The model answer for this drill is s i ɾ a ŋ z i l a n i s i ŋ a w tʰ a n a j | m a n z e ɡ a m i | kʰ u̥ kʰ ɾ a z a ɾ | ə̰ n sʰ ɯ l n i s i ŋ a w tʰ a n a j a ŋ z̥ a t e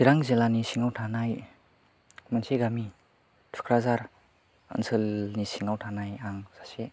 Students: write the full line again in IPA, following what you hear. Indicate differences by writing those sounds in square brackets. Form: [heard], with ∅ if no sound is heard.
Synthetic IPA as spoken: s i ɾ a ŋ z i l a n i s i ŋ a w tʰ a n a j | m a n [s] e ɡ a m i | [tʰ] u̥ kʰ ɾ a z a ɾ | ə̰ n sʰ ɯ l n i s i ŋ a w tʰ a n a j a ŋ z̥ a [s] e